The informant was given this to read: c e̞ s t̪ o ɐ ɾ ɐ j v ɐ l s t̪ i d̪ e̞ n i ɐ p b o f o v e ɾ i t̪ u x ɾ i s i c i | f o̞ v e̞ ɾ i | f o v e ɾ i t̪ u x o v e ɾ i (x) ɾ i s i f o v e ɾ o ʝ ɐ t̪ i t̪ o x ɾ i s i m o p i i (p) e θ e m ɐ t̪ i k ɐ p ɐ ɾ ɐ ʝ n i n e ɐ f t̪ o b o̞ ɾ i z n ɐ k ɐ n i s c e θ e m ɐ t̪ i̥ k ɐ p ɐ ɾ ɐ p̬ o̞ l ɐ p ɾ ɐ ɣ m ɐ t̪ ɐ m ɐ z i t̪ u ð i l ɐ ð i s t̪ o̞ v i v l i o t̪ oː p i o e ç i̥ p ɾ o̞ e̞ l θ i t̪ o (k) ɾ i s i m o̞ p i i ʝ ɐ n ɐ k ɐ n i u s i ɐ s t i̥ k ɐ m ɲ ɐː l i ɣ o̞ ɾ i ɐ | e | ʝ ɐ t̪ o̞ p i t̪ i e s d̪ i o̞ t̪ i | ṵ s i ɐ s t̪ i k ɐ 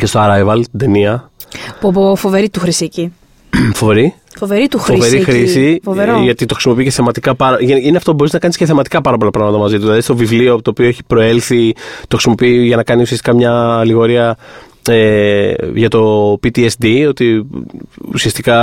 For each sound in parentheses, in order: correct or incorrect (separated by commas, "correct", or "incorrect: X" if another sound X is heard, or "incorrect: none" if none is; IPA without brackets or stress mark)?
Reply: correct, incorrect: c, incorrect: x